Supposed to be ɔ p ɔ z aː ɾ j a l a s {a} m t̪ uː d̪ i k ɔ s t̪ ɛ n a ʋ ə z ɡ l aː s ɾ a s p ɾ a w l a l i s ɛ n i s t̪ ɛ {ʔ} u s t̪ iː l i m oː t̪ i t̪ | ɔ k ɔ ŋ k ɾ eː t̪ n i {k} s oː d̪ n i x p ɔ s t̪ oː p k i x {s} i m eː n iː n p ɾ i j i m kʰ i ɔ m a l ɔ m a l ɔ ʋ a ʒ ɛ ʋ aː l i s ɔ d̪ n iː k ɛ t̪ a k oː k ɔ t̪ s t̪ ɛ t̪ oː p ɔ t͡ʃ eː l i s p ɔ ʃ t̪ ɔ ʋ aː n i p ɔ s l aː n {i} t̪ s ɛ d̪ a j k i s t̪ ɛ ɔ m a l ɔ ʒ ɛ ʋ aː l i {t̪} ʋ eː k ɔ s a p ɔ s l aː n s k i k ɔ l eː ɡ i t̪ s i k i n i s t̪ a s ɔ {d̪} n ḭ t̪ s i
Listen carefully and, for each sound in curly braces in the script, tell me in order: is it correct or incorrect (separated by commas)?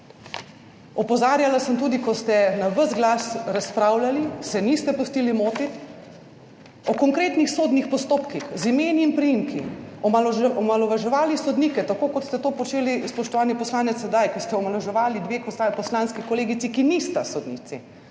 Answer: incorrect, incorrect, incorrect, incorrect, incorrect, incorrect, correct